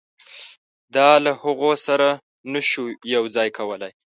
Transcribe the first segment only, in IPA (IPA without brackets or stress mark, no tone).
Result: d̪